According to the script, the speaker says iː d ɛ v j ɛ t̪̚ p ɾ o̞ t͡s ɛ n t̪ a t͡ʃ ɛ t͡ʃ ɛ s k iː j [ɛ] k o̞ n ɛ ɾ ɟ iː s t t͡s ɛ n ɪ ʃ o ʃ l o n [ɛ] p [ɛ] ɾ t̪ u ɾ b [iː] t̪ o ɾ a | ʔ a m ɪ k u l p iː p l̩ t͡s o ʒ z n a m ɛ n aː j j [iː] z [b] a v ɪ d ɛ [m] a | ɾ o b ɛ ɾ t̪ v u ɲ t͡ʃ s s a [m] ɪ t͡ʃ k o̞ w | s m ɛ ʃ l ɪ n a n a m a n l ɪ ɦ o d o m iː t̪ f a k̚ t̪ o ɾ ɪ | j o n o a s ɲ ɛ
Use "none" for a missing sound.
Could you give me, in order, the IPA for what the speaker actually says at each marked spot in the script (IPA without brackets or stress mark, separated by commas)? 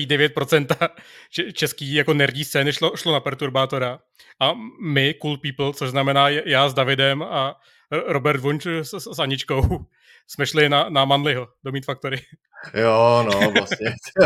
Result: a, a, ɛ, aː, aː, d, m, ɲ